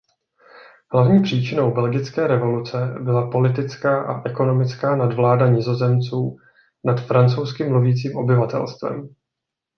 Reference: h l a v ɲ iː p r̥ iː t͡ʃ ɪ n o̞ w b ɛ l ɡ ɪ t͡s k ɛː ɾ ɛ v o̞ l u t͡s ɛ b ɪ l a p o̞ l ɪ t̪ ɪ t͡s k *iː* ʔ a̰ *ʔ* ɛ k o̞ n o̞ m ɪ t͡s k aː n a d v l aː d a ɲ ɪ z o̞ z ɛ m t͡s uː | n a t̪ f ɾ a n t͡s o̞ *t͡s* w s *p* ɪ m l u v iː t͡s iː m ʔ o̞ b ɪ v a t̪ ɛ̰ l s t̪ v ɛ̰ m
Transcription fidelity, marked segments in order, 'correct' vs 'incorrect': incorrect, correct, incorrect, incorrect

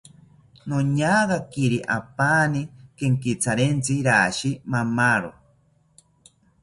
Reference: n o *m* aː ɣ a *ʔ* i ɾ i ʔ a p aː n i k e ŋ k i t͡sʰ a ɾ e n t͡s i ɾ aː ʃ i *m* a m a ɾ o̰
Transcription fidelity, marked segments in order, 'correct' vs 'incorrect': incorrect, incorrect, correct

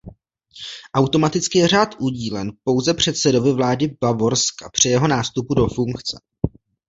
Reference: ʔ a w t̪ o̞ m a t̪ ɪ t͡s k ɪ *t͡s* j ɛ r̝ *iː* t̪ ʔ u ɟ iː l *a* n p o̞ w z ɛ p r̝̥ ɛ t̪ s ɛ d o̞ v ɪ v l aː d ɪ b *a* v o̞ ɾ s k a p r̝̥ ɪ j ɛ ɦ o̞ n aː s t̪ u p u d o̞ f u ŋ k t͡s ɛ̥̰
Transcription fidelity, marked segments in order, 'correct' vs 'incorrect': incorrect, incorrect, incorrect, correct

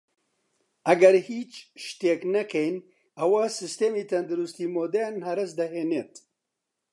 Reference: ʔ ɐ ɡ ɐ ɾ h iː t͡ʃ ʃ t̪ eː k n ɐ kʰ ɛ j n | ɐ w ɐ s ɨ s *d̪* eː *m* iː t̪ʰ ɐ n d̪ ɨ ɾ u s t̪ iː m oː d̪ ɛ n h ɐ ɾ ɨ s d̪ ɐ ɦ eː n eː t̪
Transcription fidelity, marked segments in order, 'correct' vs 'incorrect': incorrect, correct

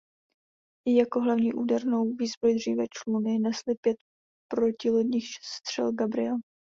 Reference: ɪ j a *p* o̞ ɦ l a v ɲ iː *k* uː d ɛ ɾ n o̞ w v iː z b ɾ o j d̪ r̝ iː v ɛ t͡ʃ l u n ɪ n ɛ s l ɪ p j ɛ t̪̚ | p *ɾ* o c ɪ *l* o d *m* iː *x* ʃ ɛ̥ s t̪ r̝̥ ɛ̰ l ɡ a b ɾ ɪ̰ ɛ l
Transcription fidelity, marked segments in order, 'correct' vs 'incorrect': incorrect, incorrect, correct, correct, incorrect, correct

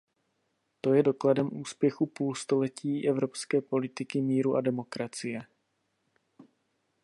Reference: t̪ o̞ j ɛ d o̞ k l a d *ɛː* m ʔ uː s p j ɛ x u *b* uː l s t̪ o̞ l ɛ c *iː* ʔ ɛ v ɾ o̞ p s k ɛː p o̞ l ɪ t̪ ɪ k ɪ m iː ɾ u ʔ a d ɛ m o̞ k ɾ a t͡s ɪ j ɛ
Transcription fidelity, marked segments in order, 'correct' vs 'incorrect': incorrect, incorrect, correct

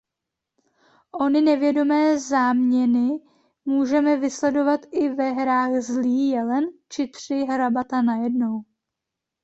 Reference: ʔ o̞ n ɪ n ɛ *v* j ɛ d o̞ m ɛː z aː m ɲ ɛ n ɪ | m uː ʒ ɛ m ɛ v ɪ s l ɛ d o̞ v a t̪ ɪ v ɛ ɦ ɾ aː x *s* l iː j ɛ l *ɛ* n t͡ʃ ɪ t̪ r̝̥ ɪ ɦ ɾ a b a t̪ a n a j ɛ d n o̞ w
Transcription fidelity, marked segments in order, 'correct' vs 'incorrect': correct, incorrect, correct

